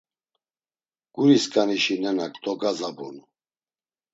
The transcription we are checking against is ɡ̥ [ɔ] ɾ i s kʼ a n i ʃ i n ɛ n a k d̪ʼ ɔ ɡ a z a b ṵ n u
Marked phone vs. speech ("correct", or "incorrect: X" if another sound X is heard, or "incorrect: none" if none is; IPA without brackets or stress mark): incorrect: u